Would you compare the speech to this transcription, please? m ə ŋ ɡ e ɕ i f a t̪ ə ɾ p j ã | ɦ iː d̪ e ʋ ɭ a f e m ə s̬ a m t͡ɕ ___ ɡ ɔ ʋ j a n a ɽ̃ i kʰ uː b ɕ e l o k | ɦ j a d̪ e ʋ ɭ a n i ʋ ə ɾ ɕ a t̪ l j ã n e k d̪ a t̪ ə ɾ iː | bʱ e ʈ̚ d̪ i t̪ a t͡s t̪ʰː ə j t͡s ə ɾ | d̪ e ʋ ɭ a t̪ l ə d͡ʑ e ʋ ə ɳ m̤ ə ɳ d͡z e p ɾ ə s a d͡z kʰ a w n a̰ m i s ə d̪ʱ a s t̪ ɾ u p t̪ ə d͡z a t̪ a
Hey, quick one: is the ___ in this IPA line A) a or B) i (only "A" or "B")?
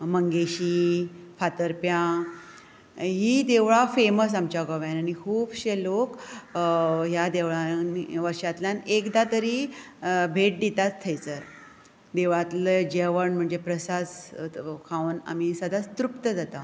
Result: A